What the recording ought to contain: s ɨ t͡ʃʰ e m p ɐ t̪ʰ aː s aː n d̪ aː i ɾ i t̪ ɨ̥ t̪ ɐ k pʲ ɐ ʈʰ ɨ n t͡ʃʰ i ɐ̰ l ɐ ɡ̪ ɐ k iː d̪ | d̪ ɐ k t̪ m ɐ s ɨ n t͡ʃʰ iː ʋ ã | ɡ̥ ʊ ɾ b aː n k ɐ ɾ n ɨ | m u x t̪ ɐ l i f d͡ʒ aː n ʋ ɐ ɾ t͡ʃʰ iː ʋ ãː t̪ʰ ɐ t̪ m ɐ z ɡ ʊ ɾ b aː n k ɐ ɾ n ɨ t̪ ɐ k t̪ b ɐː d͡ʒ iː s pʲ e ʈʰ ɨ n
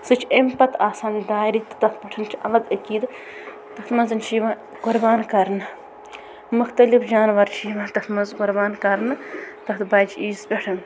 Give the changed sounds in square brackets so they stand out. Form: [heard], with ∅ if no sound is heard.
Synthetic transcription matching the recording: s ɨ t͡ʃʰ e m p ɐ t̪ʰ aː s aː n d̪ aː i ɾ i t̪ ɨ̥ t̪ ɐ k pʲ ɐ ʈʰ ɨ n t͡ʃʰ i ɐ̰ l ɐ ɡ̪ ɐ k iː d̪ | [t̪] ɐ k t̪ m ɐ [z] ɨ n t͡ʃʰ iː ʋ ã | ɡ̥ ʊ ɾ b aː n k ɐ ɾ n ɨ | m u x t̪ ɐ l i f d͡ʒ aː n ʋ ɐ ɾ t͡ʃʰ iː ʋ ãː [t̪] ɐ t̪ m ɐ z ɡ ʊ ɾ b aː n k ɐ ɾ n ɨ t̪ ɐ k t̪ b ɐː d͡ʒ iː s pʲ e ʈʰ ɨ n